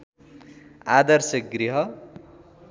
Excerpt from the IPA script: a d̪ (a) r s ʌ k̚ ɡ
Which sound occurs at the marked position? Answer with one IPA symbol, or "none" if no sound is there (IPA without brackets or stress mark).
ʌ